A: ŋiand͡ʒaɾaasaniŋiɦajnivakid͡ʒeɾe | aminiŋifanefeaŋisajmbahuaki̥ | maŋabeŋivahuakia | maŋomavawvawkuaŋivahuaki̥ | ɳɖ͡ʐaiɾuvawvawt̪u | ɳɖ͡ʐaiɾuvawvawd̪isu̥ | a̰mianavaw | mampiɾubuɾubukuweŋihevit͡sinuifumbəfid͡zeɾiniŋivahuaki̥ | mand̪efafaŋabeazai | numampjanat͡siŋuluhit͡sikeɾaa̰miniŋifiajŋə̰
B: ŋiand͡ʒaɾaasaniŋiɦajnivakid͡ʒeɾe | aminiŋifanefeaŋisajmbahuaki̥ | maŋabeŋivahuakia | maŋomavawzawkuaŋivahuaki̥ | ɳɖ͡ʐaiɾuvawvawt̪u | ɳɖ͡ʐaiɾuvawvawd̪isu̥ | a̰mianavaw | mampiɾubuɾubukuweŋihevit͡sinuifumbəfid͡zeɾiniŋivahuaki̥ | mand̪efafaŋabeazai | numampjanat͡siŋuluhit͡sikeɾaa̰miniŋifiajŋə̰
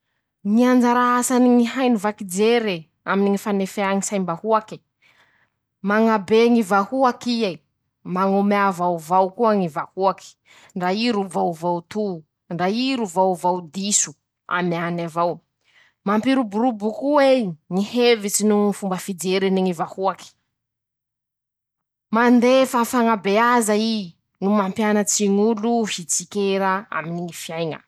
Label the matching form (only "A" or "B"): A